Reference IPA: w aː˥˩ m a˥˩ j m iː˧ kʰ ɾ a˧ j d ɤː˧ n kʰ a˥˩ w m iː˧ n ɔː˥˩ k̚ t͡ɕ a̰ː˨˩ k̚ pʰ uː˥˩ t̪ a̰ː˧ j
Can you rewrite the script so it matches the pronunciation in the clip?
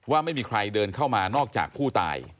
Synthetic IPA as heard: w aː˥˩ m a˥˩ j m iː˧ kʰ ɾ a˧ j d ɤː˧ n kʰ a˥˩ w m aː˧ n ɔː˥˩ k̚ t͡ɕ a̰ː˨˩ k̚ pʰ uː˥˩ t̪ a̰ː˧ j